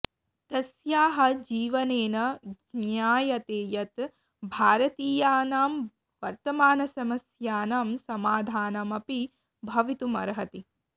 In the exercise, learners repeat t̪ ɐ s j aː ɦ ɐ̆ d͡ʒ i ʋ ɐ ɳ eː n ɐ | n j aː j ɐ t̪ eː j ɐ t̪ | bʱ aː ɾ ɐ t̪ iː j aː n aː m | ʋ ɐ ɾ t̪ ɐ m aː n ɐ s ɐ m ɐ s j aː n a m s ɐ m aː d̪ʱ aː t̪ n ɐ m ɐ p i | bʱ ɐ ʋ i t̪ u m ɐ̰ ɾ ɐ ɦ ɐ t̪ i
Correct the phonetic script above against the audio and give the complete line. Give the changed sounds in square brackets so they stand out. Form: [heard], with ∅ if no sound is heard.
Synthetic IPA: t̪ ɐ s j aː ɦ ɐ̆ d͡ʒ [iː] ʋ ɐ [n] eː n ɐ | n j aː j ɐ t̪ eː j ɐ t̪ | bʱ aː ɾ ɐ t̪ iː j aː n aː m | ʋ ɐ ɾ t̪ ɐ m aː n ɐ s ɐ m ɐ s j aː n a m s ɐ m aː d̪ʱ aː [∅] n ɐ m ɐ p i | bʱ ɐ ʋ i t̪ u m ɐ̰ ɾ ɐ ɦ ɐ t̪ i

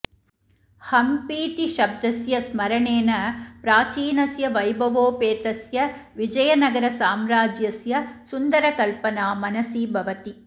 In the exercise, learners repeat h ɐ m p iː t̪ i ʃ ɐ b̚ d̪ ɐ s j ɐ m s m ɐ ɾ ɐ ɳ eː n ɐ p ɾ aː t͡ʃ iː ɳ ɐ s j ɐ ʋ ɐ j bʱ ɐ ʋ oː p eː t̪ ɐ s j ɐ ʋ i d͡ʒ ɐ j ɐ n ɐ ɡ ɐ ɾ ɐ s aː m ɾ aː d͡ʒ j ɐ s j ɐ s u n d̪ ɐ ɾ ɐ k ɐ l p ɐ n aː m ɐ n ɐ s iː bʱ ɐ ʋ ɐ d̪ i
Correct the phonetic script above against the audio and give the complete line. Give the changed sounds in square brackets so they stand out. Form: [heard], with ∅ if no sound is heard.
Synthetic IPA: h ɐ m p iː t̪ i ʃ ɐ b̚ d̪ ɐ s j ɐ [∅] s m ɐ ɾ ɐ ɳ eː n ɐ p ɾ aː t͡ʃ iː [n] ɐ s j ɐ ʋ ɐ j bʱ ɐ ʋ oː p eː t̪ ɐ s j ɐ ʋ i d͡ʒ ɐ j ɐ n ɐ ɡ ɐ ɾ ɐ s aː m ɾ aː d͡ʒ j ɐ s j ɐ s u n d̪ ɐ ɾ ɐ k ɐ l p ɐ n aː m ɐ n ɐ s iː bʱ ɐ ʋ ɐ [t̪] i

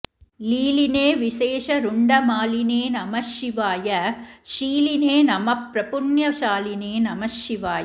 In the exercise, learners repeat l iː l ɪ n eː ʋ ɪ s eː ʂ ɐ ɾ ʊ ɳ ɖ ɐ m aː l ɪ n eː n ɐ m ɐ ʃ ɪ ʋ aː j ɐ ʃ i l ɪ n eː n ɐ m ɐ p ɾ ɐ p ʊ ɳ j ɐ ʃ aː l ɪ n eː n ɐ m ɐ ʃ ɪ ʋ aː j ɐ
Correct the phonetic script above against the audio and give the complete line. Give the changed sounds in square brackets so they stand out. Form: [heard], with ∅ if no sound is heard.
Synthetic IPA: l iː l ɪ n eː ʋ ɪ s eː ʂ ɐ ɾ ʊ ɳ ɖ ɐ m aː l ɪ n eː n ɐ m ɐ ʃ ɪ ʋ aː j ɐ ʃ [iː] l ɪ n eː n ɐ m ɐ p ɾ ɐ p ʊ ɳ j ɐ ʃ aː l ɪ n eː n ɐ m ɐ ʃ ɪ ʋ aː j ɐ

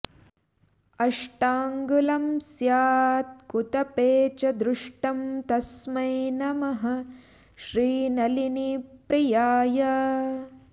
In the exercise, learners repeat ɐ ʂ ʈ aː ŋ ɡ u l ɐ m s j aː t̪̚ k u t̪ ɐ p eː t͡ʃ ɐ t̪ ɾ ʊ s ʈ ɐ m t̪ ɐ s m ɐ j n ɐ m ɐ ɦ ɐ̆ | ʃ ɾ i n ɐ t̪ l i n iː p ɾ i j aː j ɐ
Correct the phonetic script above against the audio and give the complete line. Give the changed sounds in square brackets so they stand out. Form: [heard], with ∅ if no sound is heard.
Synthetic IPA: ɐ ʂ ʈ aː ŋ ɡ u l ɐ m s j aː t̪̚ k u t̪ ɐ p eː t͡ʃ ɐ [d̪] ɾ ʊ [ʂ] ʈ ɐ m t̪ ɐ s m ɐ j n ɐ m ɐ ɦ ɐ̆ | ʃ ɾ [iː] n ɐ [∅] l i n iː p ɾ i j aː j ɐ

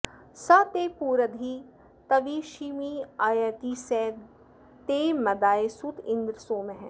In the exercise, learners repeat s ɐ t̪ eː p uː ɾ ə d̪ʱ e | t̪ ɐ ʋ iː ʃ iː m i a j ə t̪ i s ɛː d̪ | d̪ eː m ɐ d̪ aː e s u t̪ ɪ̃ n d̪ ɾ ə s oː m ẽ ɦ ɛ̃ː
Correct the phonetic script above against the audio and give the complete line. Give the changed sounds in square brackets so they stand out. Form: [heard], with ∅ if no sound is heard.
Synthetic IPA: s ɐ t̪ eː p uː ɾ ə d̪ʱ [i] | t̪ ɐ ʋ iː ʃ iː m i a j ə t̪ i s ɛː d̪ | [t̪] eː m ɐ d̪ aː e s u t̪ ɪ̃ n d̪ ɾ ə s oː m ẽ ɦ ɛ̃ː

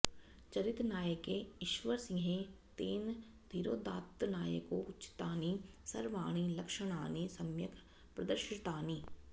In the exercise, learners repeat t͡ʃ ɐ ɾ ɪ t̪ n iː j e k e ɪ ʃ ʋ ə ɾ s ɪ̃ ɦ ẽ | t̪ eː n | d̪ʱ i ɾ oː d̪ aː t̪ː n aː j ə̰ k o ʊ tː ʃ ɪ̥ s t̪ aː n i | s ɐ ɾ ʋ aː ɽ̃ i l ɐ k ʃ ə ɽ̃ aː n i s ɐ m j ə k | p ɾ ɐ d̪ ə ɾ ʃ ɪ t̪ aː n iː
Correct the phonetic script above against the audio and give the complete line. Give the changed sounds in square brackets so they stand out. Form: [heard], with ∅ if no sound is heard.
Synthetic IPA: t͡ʃ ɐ ɾ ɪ t̪ n [aː] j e k e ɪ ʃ ʋ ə ɾ s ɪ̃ ɦ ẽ | t̪ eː n | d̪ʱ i ɾ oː d̪ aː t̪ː n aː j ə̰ k o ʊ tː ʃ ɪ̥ [∅] t̪ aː n i | s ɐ ɾ ʋ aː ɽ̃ i l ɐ k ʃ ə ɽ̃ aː n i s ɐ m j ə k | p ɾ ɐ d̪ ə ɾ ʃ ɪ t̪ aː n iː

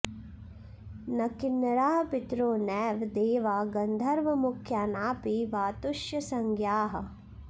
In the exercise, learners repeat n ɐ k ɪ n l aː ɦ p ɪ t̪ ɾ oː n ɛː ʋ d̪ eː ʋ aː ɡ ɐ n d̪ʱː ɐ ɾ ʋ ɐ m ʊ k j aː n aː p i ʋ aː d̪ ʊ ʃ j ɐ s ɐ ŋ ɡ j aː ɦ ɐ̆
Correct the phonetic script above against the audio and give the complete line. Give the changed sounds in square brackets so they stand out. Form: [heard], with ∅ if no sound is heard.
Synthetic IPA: n ɐ k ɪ n [ɾ] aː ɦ p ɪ t̪ ɾ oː n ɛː ʋ d̪ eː ʋ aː ɡ ɐ n [d̪ʱ] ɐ ɾ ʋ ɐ m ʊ [kʰ] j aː n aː p i ʋ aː [t̪] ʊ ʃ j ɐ s ɐ ŋ ɡ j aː ɦ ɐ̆

